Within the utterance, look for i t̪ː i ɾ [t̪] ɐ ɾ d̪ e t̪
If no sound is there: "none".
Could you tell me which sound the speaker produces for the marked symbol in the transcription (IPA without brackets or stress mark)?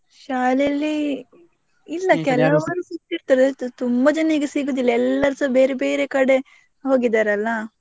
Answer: t̪